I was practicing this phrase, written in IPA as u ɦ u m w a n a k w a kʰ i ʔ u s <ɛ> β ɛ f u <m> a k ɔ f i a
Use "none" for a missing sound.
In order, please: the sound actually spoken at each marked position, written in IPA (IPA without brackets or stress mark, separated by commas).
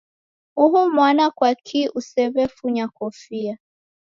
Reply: ɛ, ɲ